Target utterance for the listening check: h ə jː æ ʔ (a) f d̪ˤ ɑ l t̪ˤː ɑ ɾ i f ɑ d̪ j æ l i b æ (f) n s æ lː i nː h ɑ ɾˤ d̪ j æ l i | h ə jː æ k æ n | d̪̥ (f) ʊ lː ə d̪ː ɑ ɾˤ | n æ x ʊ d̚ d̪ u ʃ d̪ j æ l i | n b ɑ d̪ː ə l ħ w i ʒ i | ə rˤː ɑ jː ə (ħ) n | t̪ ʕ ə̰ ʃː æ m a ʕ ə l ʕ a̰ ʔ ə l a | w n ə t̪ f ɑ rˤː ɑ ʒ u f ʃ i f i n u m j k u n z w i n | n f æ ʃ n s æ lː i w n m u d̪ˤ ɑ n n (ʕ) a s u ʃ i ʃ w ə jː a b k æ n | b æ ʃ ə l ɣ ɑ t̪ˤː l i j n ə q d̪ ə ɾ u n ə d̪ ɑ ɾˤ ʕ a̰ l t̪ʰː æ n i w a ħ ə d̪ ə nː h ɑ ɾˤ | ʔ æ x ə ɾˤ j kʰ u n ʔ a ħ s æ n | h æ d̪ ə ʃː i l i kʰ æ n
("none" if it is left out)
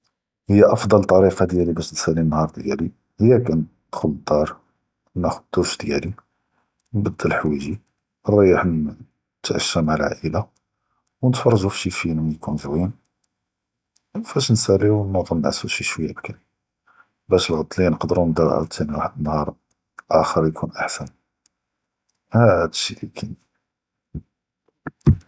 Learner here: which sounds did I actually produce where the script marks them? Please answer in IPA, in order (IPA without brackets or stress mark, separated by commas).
ɑ, ʃ, x, ħ, ʕ